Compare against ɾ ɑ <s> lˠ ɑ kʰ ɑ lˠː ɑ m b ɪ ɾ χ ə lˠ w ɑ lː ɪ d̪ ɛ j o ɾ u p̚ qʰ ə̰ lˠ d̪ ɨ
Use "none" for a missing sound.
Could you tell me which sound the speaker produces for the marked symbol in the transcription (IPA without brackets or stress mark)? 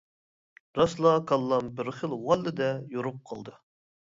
s